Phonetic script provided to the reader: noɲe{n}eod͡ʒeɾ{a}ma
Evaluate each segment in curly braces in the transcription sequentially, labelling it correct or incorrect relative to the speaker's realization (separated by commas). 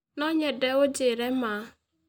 incorrect, incorrect